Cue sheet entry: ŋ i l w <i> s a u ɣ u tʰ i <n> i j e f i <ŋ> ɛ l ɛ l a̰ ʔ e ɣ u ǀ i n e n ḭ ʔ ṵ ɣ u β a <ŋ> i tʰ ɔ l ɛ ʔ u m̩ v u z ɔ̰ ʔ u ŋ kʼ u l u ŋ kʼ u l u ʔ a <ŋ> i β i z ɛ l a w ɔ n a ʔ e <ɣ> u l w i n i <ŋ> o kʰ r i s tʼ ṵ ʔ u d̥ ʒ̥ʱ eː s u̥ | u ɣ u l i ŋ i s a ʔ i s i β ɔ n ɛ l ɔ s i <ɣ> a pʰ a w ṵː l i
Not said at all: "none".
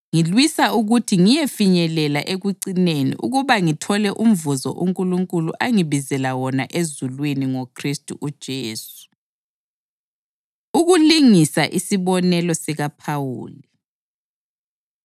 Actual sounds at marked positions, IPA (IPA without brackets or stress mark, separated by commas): i, ŋ, ɲ, ŋ, ŋ, z, ŋ, ɣ